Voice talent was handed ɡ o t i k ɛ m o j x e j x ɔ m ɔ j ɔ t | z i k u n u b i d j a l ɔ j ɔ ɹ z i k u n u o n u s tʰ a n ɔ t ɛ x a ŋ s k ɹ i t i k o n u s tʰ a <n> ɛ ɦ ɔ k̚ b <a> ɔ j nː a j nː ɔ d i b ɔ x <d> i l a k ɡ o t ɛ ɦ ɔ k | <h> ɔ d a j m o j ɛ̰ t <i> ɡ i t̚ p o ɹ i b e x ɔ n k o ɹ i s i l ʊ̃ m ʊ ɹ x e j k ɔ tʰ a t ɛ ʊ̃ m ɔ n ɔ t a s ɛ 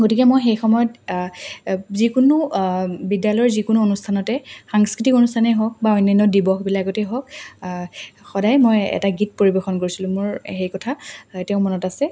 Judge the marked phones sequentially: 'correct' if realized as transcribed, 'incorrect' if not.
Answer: correct, correct, incorrect: b, incorrect: x, incorrect: a

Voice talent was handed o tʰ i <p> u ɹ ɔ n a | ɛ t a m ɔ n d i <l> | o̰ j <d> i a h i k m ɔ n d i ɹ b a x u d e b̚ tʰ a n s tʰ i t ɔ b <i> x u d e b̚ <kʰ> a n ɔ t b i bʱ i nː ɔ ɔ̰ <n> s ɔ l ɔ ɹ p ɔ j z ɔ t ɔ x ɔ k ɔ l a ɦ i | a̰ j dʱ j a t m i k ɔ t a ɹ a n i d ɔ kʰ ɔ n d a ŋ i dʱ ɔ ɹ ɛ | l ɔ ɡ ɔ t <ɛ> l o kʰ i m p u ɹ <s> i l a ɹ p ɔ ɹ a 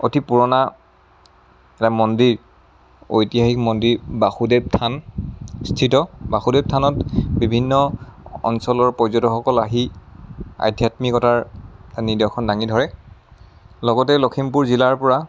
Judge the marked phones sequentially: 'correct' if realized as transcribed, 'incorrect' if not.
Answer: correct, incorrect: ɹ, incorrect: t, incorrect: a, incorrect: tʰ, correct, correct, incorrect: z

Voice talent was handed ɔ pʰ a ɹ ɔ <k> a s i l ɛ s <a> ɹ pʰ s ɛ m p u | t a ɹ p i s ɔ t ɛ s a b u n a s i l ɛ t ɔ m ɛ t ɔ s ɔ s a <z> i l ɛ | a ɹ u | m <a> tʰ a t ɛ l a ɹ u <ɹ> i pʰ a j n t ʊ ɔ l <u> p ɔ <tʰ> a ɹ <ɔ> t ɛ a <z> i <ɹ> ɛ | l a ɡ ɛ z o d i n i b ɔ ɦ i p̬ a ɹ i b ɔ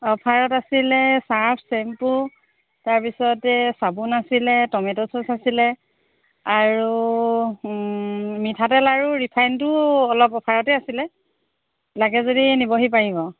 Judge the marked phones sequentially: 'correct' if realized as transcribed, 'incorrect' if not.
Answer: incorrect: t, correct, incorrect: s, incorrect: i, correct, incorrect: ɔ, incorrect: pʰ, correct, incorrect: s, incorrect: l

